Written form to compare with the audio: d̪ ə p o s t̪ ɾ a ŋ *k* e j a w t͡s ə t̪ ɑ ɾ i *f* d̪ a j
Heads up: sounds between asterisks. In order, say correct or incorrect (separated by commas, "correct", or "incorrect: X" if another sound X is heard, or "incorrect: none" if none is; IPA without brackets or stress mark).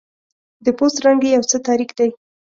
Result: incorrect: ɡ, incorrect: x